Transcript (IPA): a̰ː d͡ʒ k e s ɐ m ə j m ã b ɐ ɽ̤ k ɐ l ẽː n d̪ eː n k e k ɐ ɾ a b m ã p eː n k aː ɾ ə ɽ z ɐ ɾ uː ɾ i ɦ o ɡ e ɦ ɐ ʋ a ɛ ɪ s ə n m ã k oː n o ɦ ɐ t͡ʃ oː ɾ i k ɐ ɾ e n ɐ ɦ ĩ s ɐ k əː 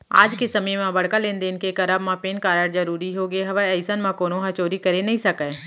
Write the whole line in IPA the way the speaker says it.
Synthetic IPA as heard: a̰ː d͡ʒ k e s ɐ m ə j m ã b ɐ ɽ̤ k a l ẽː n d̪ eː n k e k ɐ ɾ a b m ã p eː n k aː ɾ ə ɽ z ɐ ɾ uː ɾ i ɦ o ɡ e ɦ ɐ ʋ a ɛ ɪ s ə n m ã k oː n o ɦ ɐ t͡ʃ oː ɾ i k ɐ ɾ e n ɐ ɦ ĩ s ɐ k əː